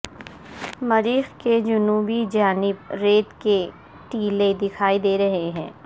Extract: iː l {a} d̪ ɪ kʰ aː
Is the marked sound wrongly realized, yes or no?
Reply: yes